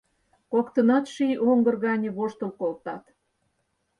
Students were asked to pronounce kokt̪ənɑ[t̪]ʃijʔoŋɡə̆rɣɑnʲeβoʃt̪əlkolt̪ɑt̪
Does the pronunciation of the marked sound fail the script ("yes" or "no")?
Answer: no